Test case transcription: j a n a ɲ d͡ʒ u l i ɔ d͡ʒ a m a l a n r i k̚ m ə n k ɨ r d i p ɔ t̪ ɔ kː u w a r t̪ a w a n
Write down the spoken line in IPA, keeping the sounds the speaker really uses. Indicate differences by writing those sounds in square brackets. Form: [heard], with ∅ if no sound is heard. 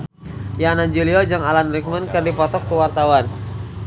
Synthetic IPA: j a n a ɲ d͡ʒ u l i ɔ d͡ʒ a [ŋ] a l a n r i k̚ m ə n k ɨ r d i p ɔ t̪ ɔ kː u w a r t̪ a w a n